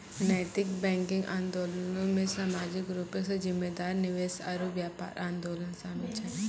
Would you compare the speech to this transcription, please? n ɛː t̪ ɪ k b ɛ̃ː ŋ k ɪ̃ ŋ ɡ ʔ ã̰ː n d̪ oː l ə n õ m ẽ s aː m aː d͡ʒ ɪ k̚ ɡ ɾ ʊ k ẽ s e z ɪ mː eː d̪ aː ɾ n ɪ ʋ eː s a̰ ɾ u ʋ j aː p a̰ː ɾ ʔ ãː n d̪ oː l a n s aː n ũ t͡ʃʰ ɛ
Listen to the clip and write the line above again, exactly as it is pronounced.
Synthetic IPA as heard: n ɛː t̪ ɪ k b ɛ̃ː ŋ k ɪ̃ ŋ ɡ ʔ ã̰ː n d̪ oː l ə n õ m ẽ s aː m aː d͡ʒ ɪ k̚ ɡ ɾ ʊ p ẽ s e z ɪ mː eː d̪ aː ɾ n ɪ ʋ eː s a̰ ɾ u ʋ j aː p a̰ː ɾ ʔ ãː n d̪ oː l ə n s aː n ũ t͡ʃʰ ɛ